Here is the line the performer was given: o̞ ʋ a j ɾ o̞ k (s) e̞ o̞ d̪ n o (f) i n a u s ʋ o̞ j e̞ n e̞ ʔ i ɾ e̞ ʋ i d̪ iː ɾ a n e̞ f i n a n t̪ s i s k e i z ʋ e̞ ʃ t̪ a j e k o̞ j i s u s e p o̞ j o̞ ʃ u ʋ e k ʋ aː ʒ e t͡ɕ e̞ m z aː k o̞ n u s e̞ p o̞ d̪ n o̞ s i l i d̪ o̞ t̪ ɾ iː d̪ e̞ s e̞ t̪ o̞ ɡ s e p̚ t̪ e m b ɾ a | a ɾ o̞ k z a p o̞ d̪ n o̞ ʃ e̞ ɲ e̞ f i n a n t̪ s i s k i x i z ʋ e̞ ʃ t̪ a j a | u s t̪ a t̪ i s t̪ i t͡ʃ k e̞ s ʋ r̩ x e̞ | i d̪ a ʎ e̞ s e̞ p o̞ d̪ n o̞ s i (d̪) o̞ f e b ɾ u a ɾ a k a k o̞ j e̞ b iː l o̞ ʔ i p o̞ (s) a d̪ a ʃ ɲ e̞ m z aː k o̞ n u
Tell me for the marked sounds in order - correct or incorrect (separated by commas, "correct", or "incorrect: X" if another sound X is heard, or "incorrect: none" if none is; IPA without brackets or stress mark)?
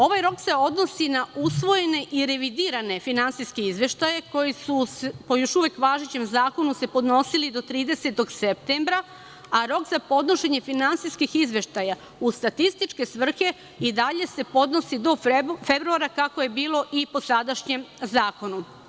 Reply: correct, incorrect: s, correct, correct